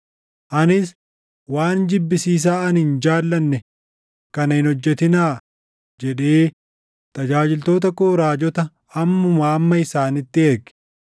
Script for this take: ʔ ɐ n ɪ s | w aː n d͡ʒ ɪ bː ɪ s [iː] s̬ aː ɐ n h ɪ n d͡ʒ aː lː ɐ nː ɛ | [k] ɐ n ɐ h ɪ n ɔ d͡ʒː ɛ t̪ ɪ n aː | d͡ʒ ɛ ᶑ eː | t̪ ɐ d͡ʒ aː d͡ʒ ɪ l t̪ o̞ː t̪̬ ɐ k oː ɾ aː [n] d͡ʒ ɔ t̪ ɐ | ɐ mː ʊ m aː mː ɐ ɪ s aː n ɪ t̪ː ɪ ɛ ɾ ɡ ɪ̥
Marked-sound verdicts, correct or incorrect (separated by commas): correct, correct, incorrect